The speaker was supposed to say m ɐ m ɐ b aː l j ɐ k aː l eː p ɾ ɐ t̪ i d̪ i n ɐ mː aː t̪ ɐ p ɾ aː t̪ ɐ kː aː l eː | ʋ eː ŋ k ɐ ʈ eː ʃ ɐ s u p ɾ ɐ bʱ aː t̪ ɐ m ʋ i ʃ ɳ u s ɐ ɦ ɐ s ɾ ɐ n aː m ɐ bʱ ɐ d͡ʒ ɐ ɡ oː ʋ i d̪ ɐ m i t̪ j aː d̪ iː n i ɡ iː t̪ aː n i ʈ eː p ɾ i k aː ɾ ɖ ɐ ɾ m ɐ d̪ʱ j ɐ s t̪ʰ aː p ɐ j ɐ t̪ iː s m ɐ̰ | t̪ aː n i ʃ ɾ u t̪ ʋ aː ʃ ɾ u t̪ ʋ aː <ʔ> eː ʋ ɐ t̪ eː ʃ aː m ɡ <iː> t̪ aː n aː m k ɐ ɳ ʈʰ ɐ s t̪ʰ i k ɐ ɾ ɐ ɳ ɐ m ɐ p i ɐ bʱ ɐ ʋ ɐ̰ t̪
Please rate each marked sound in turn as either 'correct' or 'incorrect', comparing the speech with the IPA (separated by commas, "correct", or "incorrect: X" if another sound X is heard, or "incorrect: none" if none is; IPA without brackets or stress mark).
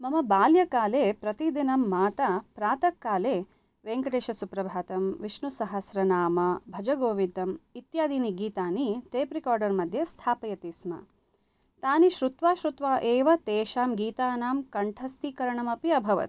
correct, correct